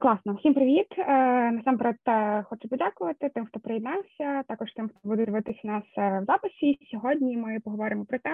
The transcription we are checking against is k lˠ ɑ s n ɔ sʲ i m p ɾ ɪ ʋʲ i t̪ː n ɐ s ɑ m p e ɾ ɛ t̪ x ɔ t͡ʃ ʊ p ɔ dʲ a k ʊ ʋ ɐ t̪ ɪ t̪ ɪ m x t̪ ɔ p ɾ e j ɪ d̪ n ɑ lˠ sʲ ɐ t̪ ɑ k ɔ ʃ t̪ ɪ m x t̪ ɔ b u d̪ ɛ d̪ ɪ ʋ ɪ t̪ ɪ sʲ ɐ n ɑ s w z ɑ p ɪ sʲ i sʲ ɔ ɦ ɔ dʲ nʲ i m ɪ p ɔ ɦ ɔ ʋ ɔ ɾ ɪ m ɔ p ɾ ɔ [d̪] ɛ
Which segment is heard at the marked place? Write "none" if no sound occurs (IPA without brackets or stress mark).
t̪